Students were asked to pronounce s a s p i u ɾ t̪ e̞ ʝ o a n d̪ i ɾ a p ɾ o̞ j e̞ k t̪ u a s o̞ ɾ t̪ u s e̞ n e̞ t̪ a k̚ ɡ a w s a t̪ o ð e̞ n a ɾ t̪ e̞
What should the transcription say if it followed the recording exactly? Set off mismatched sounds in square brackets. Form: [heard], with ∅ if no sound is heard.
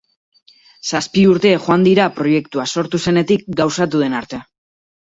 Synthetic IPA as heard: s a s p i u ɾ t̪ e̞ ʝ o a n d̪ i ɾ a p ɾ o̞ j e̞ k t̪ u a s o̞ ɾ t̪ u s e̞ n e̞ t̪ [i] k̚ ɡ a w s a t̪ [u] ð e̞ n a ɾ t̪ e̞

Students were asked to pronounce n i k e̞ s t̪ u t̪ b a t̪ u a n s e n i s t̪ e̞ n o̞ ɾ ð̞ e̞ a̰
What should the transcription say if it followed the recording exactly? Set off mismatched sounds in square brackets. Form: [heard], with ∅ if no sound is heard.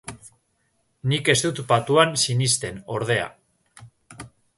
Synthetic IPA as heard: n i k e̞ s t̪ u t̪ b a t̪ u a n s [i] n i s t̪ e̞ n o̞ ɾ ð̞ e̞ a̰

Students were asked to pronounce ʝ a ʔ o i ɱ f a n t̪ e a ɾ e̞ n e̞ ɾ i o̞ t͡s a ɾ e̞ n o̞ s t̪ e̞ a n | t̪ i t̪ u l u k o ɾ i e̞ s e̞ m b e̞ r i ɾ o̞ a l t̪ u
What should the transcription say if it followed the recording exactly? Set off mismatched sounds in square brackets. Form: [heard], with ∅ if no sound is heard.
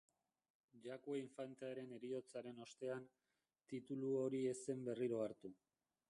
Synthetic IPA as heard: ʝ a [k] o i ɱ f a n t̪ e a ɾ e̞ n e̞ ɾ i o̞ t͡s a ɾ e̞ n o̞ s t̪ e̞ a n | t̪ i t̪ u l u [∅] o ɾ i e̞ s e̞ m b e̞ r i ɾ o̞ a [ɾ] t̪ u

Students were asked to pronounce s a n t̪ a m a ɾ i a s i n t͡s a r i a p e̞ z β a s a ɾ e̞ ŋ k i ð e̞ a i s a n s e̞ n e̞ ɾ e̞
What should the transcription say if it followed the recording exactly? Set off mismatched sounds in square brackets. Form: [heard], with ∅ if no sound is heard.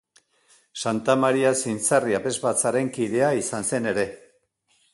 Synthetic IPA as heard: s a n t̪ a m a ɾ i a s i n t͡s a r i a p e̞ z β a [t͡s] a ɾ e̞ ŋ k i ð e̞ a i s a n s e̞ n e̞ ɾ e̞

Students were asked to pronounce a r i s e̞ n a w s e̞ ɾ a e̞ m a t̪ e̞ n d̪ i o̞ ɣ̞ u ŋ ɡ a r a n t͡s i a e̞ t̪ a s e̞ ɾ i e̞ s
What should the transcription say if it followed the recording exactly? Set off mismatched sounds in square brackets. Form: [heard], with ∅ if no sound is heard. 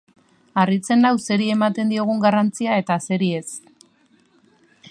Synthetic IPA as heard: a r i [t͡s] e̞ n a w s e̞ ɾ [i] e̞ m a t̪ e̞ n d̪ i o̞ ɣ̞ u ŋ ɡ a r a n t͡s i a e̞ t̪ a s e̞ ɾ i e̞ s

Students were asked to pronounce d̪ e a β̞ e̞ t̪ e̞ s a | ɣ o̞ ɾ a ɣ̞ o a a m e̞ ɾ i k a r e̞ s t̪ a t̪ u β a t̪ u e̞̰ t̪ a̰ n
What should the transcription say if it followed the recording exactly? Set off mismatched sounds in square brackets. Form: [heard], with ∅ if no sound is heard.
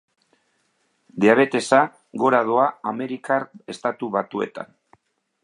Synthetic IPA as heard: d̪ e a β̞ e̞ t̪ e̞ s a | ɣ o̞ ɾ a [ð̞] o a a m e̞ ɾ i k a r e̞ s t̪ a t̪ u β a t̪ u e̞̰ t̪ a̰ n

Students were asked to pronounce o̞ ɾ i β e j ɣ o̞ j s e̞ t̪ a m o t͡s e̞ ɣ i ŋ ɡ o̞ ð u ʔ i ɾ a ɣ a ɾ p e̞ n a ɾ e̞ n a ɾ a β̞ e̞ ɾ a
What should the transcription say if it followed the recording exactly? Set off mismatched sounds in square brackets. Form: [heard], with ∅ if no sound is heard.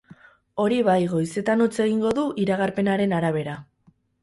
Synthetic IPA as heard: o̞ ɾ i β [a] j ɣ o̞ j s e̞ t̪ a [n] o t͡s e̞ ɣ i ŋ ɡ o̞ ð u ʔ i ɾ a ɣ a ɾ p e̞ n a ɾ e̞ n a ɾ a β̞ e̞ ɾ a

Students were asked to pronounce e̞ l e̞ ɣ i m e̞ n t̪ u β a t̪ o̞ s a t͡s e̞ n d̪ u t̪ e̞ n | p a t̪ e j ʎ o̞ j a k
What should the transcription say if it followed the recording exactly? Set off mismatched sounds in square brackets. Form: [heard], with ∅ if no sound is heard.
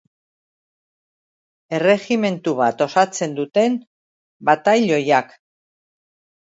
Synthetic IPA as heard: e̞ [r] e̞ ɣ i m e̞ n t̪ u β a t̪ o̞ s a t͡s e̞ n d̪ u t̪ e̞ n | [b] a t̪ [a] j ʎ o̞ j a k

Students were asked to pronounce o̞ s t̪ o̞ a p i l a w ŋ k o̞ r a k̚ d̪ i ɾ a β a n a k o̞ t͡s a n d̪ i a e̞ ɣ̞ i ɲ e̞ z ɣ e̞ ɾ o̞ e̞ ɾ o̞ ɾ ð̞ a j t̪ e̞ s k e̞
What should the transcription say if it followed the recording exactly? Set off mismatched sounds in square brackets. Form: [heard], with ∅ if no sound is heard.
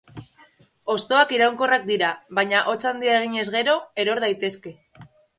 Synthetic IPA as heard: o̞ s t̪ o̞ a [k] i [ɾ] a w ŋ k o̞ r a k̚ d̪ i ɾ a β a [ɲ] a [ʔ] o̞ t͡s a n d̪ i a e̞ ɣ̞ i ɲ e̞ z ɣ e̞ ɾ o̞ e̞ ɾ o̞ ɾ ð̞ a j t̪ e̞ s k e̞

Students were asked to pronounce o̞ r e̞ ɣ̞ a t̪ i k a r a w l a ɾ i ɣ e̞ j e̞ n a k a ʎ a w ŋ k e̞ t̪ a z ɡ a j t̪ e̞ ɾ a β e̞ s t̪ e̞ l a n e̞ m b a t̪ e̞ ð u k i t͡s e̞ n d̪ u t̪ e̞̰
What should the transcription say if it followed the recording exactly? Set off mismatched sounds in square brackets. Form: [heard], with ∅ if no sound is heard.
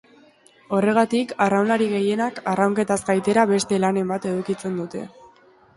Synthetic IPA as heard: o̞ r e̞ ɣ̞ a t̪ i k a r a w l a ɾ i ɣ e̞ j e̞ n a k a [r] a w ŋ k e̞ t̪ a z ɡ a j t̪ e̞ ɾ a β e̞ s t̪ e̞ l a n e̞ m b a t̪ e̞ ð u k i t͡s e̞ n d̪ u t̪ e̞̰

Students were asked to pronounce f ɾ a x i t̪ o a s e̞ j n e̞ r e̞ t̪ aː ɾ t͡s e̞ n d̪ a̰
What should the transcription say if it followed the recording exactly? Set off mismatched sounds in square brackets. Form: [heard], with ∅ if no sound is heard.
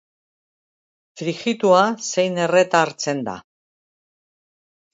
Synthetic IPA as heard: f ɾ [i] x i t̪ [u] a s e̞ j n e̞ r e̞ t̪ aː ɾ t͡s e̞ n d̪ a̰

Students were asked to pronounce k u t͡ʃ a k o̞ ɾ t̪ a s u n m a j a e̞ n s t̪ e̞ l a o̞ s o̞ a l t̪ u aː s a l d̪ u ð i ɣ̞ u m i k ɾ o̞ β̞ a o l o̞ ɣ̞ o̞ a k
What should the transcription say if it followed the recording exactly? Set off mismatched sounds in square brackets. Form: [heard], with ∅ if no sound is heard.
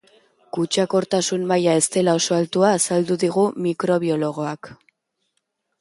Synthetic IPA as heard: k u t͡ʃ a k o̞ ɾ t̪ a s u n m a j a e̞ [∅] s t̪ e̞ l a o̞ s o̞ a l t̪ u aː s a l d̪ u ð i ɣ̞ u m i k ɾ o̞ β̞ [i] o l o̞ ɣ̞ o̞ a k

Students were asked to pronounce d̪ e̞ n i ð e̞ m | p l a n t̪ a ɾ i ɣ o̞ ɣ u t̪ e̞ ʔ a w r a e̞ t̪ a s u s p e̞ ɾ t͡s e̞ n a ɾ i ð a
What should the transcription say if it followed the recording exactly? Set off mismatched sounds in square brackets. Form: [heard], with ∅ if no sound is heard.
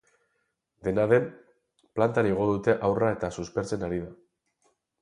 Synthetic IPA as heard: d̪ e̞ n [a] ð e̞ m | p l a n t̪ a ɾ i ɣ o̞ [ð] u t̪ e̞ ʔ a w r a e̞ t̪ a s u s p e̞ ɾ t͡s e̞ n a ɾ i ð a

